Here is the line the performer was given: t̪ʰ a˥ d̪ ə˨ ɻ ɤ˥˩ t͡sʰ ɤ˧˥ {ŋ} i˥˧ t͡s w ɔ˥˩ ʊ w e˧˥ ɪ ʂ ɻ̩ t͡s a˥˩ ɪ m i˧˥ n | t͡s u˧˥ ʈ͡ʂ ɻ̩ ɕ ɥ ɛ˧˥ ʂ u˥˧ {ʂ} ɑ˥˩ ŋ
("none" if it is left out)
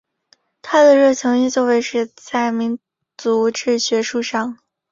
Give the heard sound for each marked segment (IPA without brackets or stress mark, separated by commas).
ŋ, ʂ